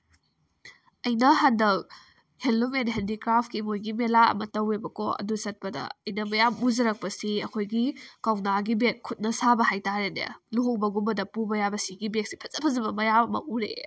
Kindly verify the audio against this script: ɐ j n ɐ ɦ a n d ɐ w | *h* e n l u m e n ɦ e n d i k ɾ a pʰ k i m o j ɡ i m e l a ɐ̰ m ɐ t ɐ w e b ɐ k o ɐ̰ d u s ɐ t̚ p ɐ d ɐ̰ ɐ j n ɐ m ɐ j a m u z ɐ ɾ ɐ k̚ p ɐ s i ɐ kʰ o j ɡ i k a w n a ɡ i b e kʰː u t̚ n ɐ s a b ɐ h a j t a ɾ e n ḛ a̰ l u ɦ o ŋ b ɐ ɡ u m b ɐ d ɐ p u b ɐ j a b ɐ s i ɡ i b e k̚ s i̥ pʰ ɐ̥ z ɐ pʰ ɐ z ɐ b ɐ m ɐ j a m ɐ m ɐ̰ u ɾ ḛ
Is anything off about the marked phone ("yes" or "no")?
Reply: no